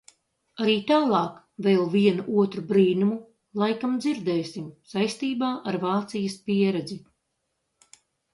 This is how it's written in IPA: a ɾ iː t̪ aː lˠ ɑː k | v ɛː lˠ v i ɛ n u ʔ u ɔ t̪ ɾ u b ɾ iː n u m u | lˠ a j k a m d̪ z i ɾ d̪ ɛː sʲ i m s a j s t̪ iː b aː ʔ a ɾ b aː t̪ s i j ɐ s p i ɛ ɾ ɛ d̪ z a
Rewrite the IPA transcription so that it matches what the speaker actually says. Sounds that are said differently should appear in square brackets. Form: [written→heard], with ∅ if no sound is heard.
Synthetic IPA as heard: a ɾ iː t̪ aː lˠ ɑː k | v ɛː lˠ v i ɛ n u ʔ u ɔ t̪ ɾ u b ɾ iː n u m u | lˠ a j k a m d̪ z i ɾ d̪ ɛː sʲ i m s a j s t̪ iː b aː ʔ a ɾ [b→v] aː t̪ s i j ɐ s p i ɛ ɾ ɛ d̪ z [a→i]